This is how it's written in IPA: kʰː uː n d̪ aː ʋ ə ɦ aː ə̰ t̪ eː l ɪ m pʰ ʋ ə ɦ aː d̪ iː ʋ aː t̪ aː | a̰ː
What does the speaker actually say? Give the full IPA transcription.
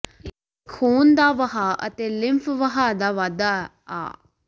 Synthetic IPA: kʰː uː n d̪ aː ʋ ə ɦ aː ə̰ t̪ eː l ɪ m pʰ ʋ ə ɦ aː d̪ aː ʋ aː d̪ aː | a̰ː